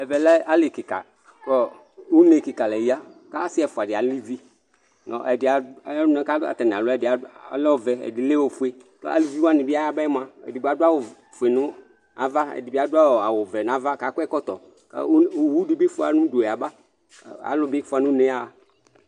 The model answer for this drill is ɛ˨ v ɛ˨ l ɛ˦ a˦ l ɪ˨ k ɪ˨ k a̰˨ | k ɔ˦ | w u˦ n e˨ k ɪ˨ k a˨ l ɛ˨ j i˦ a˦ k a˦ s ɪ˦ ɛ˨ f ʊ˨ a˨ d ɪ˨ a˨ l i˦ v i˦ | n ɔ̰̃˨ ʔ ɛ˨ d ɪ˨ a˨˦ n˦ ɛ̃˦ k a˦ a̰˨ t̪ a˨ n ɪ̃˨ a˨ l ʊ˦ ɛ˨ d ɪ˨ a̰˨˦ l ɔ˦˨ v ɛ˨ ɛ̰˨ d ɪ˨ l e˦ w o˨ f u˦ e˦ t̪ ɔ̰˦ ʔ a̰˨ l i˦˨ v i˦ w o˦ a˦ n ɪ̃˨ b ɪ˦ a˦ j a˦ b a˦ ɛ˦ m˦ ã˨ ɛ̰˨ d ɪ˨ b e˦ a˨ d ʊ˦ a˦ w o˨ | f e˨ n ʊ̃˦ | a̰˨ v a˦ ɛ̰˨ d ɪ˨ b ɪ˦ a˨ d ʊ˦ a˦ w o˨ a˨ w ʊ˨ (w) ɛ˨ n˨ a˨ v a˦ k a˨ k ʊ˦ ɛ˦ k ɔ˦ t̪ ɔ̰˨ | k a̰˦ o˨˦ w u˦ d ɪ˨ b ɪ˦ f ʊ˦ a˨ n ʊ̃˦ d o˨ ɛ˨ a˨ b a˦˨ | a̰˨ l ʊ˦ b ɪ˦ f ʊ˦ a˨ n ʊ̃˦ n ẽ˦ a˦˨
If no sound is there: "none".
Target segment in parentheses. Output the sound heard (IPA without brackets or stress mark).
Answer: v